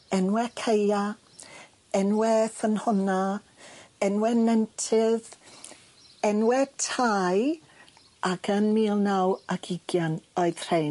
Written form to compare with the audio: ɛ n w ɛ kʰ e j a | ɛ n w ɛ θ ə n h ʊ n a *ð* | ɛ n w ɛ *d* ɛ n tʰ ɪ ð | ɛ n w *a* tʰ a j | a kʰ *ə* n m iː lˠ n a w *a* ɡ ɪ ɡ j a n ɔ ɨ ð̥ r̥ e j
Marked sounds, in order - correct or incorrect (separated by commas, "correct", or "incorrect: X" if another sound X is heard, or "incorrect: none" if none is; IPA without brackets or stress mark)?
incorrect: none, incorrect: n, incorrect: ɛ, correct, correct